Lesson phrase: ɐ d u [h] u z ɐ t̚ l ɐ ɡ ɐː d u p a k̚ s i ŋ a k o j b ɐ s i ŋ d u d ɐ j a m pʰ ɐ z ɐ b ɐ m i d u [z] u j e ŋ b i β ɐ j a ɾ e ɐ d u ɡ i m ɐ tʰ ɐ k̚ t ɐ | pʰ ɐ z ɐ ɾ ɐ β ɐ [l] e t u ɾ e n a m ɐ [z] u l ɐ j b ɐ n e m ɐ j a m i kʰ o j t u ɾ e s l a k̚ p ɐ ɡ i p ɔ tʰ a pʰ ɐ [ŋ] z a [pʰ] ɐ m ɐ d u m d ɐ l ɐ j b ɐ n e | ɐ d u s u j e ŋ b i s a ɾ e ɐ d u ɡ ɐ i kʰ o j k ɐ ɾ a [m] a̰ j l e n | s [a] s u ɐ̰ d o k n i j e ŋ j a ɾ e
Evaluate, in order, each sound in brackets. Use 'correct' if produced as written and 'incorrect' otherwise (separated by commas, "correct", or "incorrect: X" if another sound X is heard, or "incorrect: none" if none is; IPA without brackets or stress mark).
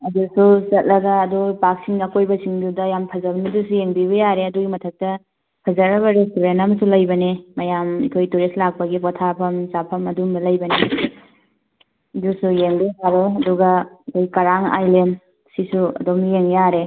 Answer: incorrect: s, incorrect: s, incorrect: ɾ, incorrect: s, incorrect: m, correct, incorrect: ŋ, incorrect: i